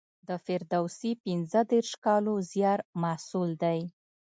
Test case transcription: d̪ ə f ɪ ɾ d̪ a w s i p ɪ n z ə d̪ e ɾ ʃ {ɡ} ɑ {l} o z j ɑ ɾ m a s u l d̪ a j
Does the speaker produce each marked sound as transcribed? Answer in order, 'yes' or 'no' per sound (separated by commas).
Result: no, yes